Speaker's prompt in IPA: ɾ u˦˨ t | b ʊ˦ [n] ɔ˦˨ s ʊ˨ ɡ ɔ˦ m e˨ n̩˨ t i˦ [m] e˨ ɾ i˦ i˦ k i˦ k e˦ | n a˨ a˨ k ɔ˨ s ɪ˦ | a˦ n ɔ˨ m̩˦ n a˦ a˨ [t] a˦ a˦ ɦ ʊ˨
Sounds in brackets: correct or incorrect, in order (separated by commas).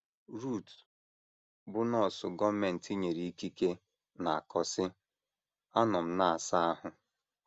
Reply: correct, incorrect, incorrect